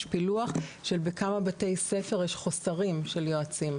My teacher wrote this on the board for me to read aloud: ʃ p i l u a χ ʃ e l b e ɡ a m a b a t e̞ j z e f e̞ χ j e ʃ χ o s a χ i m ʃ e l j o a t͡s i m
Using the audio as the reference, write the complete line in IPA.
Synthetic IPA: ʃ p i l u a χ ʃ e l b e k a m a b a t e̞ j s e f e̞ ʁ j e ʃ χ o s a ʁ i m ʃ e l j o a t͡s i m